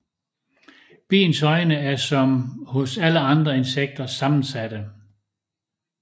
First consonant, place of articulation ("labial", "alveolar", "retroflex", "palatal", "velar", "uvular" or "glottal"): labial